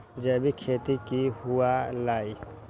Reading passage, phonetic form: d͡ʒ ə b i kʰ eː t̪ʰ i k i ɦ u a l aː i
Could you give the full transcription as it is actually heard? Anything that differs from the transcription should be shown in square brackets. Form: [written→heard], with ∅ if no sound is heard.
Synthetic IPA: d͡ʒ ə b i kʰ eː [t̪ʰ→t̪] i k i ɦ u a l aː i